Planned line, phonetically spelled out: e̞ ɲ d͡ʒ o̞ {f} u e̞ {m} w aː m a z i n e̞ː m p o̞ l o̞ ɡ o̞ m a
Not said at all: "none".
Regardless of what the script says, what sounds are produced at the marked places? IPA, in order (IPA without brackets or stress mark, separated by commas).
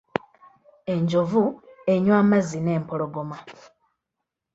v, ɲ